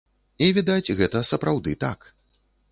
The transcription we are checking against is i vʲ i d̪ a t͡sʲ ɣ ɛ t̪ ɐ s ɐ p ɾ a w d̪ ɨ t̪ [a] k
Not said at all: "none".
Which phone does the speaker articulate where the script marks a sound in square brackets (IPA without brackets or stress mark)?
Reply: a